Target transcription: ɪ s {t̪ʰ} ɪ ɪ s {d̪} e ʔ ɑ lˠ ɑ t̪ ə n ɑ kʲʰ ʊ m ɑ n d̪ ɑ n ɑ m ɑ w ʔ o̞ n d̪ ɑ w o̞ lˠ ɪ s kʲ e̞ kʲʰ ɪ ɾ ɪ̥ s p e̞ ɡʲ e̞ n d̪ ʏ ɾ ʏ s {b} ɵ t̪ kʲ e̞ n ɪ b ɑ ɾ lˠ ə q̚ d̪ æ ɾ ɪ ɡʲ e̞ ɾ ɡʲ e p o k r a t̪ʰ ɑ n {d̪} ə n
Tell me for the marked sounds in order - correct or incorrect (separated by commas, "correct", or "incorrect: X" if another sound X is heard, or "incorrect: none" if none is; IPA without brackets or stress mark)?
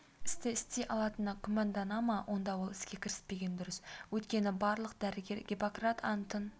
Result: incorrect: t̪, incorrect: t̪, incorrect: w, incorrect: t̪